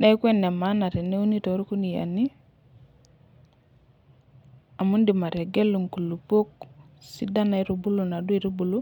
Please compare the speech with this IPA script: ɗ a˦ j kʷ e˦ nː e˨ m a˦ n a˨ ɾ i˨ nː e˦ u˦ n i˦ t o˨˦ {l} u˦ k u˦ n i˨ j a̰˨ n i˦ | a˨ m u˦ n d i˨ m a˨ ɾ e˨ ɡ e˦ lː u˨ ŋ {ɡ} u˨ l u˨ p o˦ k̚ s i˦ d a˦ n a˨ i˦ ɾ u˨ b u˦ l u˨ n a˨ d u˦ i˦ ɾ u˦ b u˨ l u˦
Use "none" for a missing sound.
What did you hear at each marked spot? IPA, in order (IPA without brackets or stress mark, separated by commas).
ɾ, k